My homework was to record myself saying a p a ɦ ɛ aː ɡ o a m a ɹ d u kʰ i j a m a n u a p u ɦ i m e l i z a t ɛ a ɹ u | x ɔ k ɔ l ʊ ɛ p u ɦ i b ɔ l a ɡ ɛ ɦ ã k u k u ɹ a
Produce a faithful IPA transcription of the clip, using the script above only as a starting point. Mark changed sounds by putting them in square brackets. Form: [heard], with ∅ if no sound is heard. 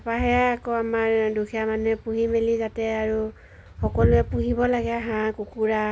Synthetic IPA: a p a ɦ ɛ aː [k] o a m a ɹ d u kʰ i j a m a n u [ɛ] p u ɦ i m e l i z a t ɛ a ɹ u | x ɔ k ɔ l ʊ ɛ p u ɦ i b ɔ l a ɡ ɛ ɦ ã k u k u ɹ a